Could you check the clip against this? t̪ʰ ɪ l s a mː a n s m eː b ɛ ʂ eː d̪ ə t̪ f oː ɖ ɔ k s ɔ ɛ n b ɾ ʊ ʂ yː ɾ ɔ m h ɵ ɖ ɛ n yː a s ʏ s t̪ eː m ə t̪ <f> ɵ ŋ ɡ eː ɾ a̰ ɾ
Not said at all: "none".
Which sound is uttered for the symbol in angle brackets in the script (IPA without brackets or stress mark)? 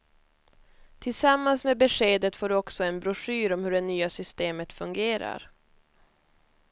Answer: f